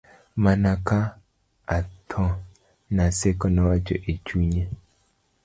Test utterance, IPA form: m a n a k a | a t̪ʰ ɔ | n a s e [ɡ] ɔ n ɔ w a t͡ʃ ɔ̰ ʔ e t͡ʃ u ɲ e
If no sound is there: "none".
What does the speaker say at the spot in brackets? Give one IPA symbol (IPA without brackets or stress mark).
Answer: k